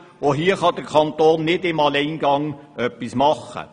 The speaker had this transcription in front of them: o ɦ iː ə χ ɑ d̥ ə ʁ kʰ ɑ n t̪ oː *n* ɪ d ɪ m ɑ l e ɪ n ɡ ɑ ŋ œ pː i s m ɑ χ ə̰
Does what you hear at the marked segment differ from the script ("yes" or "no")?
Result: yes